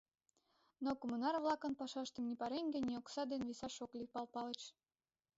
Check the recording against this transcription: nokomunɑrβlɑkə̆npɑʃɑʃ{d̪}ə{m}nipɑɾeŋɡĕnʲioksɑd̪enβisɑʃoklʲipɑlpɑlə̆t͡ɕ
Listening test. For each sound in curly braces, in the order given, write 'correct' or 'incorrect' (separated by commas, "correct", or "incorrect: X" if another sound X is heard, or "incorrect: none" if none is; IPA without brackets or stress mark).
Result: incorrect: t̪, correct